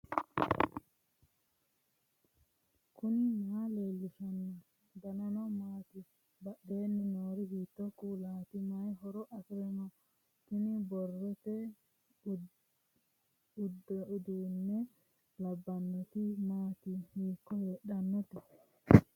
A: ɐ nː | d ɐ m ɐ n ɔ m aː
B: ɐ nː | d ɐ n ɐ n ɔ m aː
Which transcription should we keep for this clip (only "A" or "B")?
B